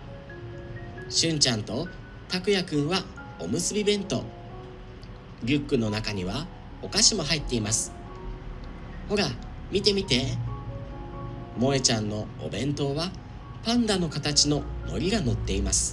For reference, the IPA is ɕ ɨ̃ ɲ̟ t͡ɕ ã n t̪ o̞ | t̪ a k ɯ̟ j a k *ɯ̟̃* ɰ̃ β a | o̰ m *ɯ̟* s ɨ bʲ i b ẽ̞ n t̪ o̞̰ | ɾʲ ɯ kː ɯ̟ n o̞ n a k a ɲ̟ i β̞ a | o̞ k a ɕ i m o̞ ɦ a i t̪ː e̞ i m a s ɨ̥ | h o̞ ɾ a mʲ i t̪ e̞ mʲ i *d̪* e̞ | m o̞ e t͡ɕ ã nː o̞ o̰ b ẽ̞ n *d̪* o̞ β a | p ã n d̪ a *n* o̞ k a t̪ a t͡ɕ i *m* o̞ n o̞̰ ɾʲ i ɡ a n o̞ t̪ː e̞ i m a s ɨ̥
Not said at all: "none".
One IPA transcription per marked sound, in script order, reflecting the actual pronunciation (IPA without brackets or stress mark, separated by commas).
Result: ɯ̟̃, ɯ̟, t̪, t̪, n, n